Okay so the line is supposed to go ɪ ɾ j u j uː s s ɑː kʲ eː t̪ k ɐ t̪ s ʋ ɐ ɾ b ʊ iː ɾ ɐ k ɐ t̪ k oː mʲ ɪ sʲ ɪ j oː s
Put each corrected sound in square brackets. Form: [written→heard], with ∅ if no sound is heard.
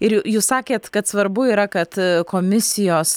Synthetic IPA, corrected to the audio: ɪ ɾ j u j uː s s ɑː kʲ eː t̪ k ɐ t̪ s ʋ ɐ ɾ b ʊ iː ɾ ɐ k ɐ t̪ k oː mʲ ɪ sʲ ɪ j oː s